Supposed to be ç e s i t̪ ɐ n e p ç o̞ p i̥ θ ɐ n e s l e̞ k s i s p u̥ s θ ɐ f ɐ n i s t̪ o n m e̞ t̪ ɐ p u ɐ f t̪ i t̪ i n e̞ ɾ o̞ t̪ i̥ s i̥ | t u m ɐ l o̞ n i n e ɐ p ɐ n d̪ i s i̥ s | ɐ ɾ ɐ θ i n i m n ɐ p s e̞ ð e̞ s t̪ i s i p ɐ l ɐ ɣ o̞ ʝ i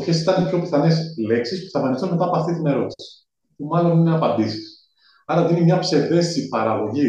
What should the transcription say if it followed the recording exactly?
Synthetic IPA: ç e s i t̪ ɐ n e p ç o̞ p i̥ θ ɐ n e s l e̞ k s i s p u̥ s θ ɐ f ɐ n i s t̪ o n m e̞ t̪ ɐ p o ɐ f t̪ i t̪ i n e̞ ɾ o̞ t̪ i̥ s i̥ | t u m ɐ l o̞ n i n e ɐ p ɐ n d̪ i s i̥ s | ɐ ɾ ɐ ð i n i m ɲ ɐ p s e̞ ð e̞ s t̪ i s i p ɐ ɾ ɐ ɣ o̞ ʝ i